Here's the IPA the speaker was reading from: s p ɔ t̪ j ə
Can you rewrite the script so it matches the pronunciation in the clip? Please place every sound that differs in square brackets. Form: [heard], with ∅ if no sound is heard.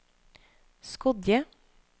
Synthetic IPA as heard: s [k] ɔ [d̪] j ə